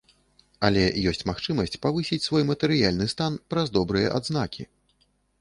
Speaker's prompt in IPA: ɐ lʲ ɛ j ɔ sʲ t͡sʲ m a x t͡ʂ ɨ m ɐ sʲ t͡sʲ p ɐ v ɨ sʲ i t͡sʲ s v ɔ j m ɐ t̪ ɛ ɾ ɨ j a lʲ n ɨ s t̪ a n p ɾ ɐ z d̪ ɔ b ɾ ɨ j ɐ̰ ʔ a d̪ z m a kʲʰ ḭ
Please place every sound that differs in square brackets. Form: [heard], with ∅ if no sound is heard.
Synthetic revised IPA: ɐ lʲ ɛ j ɔ sʲ t͡sʲ m a x t͡ʂ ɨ m ɐ sʲ t͡sʲ p [a] v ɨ sʲ i t͡sʲ s v ɔ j m ɐ t̪ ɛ ɾ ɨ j a lʲ n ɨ s t̪ a n p ɾ ɐ z d̪ ɔ b ɾ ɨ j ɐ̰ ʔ a d̪ z [n] a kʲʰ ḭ